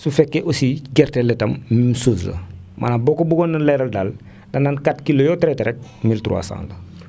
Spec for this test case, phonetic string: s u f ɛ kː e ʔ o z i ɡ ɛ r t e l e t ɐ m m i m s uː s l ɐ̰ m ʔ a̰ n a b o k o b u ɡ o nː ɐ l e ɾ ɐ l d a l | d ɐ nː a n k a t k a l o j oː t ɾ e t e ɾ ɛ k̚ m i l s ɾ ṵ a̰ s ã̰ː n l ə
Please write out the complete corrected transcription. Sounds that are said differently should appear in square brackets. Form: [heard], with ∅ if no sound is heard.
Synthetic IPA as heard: s u f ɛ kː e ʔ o [s] i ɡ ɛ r t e l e t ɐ m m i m s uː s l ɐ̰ m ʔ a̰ n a b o k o b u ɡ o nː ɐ l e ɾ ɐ l d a l | d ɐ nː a n k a t k [i] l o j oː t ɾ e t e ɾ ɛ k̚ m i l [t] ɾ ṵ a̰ s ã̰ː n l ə